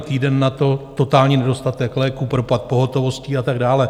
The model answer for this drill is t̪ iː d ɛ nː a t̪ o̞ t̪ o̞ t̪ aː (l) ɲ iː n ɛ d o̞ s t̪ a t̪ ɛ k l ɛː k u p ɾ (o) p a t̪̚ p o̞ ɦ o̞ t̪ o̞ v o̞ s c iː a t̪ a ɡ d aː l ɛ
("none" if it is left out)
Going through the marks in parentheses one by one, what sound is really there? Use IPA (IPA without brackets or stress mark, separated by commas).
l, o